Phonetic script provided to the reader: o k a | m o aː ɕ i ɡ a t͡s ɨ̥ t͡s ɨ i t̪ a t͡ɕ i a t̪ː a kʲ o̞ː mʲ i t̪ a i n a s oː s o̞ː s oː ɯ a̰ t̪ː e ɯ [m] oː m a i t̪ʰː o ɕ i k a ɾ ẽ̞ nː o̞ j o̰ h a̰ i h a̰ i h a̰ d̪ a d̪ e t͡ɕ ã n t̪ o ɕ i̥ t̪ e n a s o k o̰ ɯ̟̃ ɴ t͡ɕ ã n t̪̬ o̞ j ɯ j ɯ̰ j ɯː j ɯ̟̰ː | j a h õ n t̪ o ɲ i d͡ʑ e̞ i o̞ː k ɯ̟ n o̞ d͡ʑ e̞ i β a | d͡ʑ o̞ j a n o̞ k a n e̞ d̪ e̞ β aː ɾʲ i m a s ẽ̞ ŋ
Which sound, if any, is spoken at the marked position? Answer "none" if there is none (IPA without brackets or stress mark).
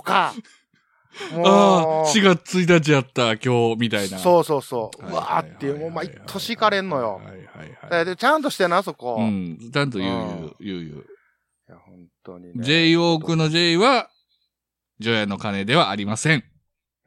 m